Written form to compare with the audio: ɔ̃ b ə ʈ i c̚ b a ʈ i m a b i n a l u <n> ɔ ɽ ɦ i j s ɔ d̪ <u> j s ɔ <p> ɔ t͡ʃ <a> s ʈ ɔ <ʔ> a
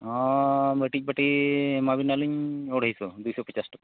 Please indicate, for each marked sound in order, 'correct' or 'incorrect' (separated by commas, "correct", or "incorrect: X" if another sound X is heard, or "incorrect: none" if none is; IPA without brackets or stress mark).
incorrect: ɲ, correct, correct, correct, incorrect: k